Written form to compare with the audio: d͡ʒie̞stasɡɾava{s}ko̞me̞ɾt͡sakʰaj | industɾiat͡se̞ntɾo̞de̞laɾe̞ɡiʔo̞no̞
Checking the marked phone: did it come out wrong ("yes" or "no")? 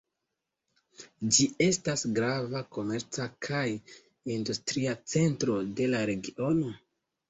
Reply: yes